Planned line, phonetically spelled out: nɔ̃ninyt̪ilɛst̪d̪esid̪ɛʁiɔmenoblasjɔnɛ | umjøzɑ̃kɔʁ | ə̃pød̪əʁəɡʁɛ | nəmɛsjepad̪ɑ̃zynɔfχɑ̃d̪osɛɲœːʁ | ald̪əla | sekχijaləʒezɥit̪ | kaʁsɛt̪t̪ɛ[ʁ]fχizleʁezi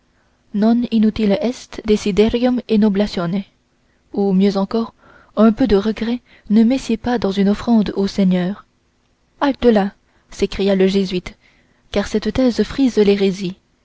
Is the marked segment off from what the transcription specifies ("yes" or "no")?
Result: yes